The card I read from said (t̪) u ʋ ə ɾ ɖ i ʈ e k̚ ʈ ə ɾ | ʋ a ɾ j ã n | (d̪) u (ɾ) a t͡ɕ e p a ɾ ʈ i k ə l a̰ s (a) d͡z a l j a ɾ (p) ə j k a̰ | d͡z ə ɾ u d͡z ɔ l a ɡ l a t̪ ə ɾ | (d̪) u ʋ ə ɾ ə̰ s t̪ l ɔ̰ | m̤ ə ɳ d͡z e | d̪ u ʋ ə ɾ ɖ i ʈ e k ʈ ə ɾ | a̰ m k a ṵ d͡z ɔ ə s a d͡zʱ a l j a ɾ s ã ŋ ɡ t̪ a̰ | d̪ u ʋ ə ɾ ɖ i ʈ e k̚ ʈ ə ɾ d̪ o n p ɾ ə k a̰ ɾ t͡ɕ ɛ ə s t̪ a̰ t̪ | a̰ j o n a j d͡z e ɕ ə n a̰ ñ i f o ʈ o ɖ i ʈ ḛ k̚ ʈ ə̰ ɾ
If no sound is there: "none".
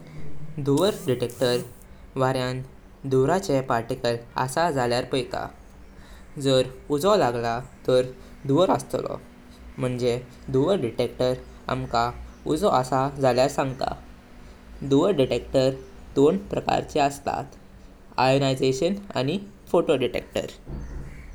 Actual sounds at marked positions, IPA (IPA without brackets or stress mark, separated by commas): d̪, d̪, ɾ, a, p, d̪